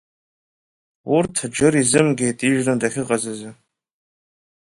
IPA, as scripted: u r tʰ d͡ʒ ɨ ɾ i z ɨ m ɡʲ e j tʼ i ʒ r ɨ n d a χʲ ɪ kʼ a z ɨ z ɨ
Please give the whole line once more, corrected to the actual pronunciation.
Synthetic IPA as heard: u r tʰ d͡ʒ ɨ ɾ i z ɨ m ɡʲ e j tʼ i ʒ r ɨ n d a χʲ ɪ qʼ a z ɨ z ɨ